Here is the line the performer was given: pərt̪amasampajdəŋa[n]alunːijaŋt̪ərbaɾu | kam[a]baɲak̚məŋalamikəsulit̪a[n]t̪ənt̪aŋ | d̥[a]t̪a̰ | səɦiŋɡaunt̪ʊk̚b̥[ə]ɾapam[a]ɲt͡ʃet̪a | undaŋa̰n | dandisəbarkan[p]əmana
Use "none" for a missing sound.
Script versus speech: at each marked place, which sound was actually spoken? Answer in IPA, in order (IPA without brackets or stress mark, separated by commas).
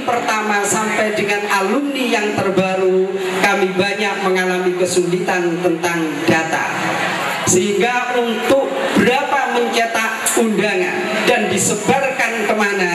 n, i, n, a, ə, ə, k